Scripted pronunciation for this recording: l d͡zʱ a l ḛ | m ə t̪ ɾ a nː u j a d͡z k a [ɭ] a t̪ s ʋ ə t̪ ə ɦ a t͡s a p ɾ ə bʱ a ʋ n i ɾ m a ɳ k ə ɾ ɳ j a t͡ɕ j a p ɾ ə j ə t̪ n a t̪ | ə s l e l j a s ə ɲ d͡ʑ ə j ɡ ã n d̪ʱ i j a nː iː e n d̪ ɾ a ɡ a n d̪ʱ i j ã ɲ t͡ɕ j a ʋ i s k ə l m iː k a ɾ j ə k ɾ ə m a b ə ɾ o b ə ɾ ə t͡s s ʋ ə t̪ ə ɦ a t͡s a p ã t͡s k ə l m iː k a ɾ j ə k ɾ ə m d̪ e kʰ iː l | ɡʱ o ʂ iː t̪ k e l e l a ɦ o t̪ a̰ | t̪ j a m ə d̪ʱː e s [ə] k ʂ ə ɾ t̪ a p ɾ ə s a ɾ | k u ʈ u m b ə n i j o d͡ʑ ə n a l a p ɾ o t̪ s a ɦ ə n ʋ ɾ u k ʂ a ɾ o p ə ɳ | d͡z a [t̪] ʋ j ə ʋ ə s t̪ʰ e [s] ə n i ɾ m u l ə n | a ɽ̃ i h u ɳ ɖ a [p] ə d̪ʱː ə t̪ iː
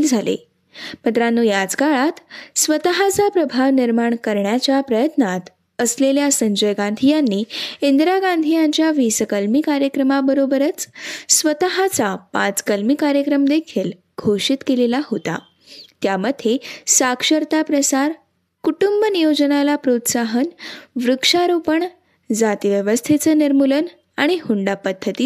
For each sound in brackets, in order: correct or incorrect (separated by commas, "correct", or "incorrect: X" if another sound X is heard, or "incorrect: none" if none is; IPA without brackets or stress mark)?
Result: correct, incorrect: a, correct, incorrect: t͡s, correct